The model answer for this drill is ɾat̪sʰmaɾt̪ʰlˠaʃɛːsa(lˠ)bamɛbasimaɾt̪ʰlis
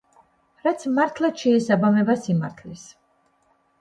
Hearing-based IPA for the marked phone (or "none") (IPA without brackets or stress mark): none